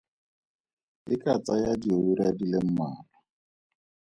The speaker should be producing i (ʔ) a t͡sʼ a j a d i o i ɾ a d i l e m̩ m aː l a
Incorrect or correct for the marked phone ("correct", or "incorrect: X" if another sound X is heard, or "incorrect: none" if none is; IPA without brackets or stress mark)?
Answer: incorrect: k